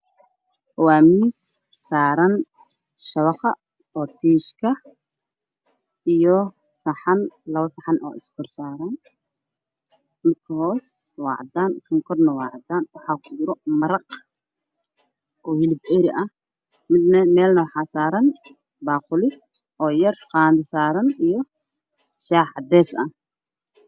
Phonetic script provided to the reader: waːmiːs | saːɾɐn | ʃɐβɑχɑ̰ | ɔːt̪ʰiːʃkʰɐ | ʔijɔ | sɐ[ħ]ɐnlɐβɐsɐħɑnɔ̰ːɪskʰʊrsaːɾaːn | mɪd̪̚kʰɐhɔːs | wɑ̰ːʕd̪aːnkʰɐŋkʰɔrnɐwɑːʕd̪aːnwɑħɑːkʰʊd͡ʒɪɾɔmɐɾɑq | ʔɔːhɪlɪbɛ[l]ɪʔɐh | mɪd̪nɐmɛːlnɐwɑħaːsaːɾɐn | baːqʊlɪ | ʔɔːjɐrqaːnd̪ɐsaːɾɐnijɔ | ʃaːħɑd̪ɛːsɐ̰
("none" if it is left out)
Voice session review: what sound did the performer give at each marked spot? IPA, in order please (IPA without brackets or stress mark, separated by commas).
ħ, ɾ